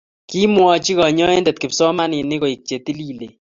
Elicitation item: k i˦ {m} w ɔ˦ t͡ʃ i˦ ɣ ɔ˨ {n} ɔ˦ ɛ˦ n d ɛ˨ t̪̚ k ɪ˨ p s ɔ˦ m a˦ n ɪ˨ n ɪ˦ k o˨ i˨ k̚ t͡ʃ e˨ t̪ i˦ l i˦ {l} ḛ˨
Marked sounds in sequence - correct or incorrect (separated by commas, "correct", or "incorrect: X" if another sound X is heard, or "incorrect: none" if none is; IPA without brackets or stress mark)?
correct, incorrect: ɲ, correct